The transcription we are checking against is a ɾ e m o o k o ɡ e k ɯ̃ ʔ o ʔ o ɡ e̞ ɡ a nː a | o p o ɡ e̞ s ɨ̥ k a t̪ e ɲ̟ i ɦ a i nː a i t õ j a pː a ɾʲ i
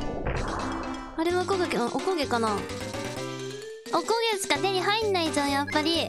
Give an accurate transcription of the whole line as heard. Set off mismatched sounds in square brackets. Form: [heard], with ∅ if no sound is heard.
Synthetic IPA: a ɾ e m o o k o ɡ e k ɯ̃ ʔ o [k] o ɡ e̞ [k] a [n] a | o [k] o ɡ e̞ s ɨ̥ k a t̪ e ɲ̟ i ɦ a i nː a i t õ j a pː a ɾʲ i